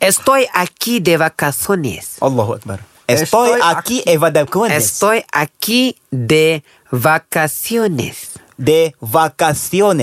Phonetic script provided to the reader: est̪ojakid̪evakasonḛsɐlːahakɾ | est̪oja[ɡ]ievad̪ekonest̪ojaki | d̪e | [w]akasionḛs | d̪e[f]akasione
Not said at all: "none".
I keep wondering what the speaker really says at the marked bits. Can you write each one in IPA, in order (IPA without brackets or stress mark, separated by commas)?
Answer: k, v, v